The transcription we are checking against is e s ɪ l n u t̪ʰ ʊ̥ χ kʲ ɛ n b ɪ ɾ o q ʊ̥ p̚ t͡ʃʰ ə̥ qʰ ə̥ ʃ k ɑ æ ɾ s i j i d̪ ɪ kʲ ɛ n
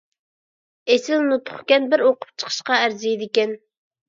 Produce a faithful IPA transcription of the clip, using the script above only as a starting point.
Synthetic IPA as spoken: e s ɪ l n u t̪ʰ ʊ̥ χ kʲ ɛ n b ɪ ɾ o q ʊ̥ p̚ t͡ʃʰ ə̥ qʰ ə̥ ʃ q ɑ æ ɾ z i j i d̪ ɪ kʲ ɛ n